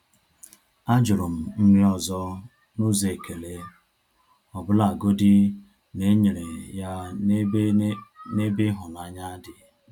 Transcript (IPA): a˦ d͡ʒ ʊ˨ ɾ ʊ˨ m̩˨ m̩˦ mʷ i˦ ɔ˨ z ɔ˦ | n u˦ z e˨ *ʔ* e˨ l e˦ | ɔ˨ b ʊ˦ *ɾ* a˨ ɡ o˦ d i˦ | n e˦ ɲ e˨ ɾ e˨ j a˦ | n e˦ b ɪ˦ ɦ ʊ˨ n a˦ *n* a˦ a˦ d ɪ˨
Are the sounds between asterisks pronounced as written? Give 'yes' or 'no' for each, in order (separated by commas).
no, no, no